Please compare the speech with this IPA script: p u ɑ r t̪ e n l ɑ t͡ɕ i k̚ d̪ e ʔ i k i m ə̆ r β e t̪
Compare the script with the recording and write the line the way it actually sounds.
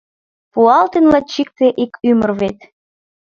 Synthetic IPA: p u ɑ l t̪ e n l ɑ t͡ɕ i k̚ t̪ e ʔ i k y m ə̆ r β e t̪